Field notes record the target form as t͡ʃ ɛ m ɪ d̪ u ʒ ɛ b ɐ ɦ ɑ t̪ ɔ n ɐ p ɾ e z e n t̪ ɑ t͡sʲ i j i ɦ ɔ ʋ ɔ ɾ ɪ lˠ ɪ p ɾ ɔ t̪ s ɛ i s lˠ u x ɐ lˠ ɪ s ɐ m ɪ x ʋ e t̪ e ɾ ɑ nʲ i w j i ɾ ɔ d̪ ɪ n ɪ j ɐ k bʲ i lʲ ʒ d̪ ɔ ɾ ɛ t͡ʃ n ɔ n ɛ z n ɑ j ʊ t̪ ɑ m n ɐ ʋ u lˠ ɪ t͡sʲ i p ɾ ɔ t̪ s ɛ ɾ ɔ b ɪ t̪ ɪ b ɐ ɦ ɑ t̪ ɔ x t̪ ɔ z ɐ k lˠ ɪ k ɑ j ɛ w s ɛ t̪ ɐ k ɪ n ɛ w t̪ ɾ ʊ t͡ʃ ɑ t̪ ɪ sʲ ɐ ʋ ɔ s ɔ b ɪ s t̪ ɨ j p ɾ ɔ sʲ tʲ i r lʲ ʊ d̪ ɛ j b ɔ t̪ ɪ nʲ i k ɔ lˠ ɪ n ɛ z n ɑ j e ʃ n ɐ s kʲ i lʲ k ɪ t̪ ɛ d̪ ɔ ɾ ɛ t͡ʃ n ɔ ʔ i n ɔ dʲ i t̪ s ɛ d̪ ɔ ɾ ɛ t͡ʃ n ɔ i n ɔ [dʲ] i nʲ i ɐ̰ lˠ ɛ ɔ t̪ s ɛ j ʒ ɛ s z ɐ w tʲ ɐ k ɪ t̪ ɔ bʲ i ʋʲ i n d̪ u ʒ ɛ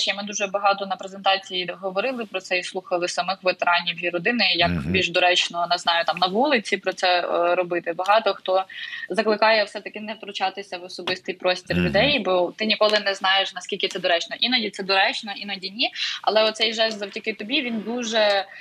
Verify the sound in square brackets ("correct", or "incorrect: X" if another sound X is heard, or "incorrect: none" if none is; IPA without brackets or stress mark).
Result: correct